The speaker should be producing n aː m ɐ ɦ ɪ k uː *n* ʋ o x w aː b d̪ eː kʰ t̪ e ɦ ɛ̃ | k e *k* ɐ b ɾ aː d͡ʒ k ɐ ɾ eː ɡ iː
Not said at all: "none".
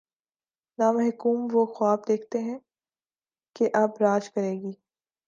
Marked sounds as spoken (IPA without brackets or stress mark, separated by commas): m, ʔ